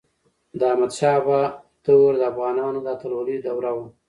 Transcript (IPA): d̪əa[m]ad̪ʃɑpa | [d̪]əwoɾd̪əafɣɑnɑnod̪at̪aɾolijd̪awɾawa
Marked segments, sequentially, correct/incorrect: correct, incorrect

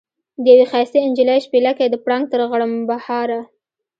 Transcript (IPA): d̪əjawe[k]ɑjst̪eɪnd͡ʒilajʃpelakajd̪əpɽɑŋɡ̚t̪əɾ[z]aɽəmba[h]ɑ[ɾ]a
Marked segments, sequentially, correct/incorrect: incorrect, incorrect, correct, correct

